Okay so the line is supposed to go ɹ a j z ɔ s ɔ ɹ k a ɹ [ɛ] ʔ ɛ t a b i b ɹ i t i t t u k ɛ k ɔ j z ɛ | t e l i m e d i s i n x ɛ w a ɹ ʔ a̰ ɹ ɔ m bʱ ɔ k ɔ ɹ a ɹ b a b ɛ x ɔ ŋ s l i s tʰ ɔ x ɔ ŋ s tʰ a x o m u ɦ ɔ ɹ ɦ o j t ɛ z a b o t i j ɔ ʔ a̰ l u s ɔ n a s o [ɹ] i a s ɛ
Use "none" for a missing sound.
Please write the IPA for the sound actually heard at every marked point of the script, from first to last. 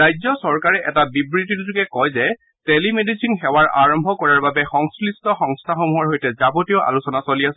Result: ɛ, l

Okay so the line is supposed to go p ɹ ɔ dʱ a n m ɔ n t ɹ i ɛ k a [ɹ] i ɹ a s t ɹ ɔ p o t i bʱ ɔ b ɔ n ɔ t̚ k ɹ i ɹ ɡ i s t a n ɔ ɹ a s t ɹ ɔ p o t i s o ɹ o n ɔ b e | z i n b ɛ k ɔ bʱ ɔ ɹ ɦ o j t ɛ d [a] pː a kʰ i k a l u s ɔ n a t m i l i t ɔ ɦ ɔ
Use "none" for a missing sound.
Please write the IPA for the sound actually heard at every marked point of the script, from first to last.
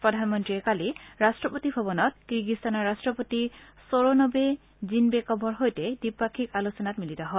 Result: l, i

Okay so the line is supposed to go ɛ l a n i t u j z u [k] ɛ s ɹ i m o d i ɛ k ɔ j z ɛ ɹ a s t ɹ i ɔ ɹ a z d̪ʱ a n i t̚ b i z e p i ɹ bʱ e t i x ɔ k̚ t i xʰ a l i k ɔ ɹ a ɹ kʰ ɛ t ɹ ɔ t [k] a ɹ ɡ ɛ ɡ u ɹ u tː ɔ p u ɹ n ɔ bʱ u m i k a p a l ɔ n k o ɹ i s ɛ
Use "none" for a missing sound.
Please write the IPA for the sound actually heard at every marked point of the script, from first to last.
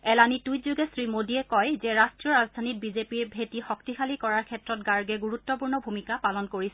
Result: ɡ, ɡ

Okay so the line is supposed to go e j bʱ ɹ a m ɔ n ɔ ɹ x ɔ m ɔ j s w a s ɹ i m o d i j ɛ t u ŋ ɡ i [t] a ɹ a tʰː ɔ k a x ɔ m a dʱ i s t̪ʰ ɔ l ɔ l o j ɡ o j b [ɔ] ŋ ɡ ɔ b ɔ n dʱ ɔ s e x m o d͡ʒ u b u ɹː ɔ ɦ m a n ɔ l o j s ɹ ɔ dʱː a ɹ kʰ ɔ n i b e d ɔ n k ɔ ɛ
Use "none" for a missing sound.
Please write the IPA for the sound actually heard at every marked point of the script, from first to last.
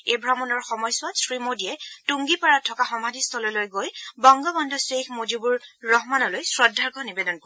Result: p, ɔ

